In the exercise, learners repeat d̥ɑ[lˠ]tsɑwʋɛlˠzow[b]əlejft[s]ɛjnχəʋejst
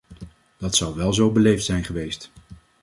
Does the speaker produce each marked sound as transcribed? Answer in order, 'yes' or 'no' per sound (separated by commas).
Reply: no, yes, yes